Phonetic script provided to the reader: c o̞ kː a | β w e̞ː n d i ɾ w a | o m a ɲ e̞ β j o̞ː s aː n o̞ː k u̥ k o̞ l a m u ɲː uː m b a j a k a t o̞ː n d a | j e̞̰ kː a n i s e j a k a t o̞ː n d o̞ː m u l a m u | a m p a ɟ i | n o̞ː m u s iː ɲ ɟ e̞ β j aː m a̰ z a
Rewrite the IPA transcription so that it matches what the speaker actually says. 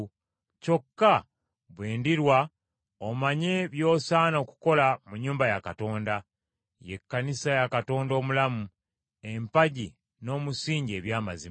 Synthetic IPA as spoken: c o̞ kː a | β w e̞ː n d i ɾ w a | o m a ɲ e̞ β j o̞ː s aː n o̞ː k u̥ k o̞ l a m u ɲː uː m b a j a k a t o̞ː n d a | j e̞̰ kː a n i s a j a k a t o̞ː n d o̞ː m u l a m u | e m p a ɟ i | n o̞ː m u s iː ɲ ɟ e̞ β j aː m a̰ z i